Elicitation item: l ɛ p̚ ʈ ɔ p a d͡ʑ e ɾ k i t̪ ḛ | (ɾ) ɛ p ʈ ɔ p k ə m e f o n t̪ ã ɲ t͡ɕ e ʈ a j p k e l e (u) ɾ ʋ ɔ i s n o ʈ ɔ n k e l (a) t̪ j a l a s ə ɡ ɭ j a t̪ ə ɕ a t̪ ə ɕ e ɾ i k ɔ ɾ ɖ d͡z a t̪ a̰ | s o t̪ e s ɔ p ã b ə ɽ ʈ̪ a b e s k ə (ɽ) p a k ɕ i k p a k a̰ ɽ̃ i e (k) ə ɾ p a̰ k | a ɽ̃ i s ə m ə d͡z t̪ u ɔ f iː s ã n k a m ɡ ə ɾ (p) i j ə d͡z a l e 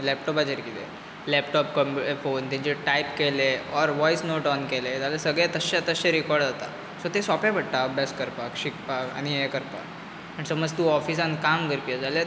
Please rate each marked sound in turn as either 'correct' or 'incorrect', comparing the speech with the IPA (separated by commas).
incorrect, incorrect, incorrect, incorrect, correct, correct